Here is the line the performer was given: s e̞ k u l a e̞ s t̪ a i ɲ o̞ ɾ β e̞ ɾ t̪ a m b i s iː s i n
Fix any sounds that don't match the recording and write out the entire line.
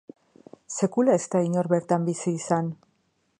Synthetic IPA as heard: s e̞ k u l a e̞ s t̪ a i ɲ o̞ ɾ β e̞ ɾ t̪ a m b i s iː s a n